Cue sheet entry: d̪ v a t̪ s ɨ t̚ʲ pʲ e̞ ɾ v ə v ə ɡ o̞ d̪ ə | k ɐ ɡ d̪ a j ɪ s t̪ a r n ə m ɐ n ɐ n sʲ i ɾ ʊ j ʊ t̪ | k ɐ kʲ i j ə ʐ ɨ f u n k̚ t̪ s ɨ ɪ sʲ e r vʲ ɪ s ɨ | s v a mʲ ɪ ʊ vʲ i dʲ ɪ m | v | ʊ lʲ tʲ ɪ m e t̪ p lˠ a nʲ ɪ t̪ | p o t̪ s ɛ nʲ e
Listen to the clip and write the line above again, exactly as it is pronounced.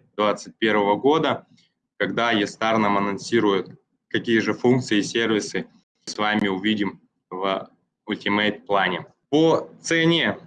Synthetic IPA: d̪ v a t̪ s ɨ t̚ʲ pʲ e̞ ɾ v ə v ə ɡ o̞ d̪ ə | k ɐ ɡ d̪ a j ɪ s t̪ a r n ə m ɐ n ɐ n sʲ i ɾ ʊ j ʊ t̪ | k ɐ kʲ i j ə ʐ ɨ f u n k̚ t̪ s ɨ ɪ sʲ e r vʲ ɪ s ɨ | s v a mʲ ɪ ʊ vʲ i dʲ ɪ m | v | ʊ lʲ tʲ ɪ m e t̪ p lˠ a nʲ ɪ | p o t̪ s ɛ nʲ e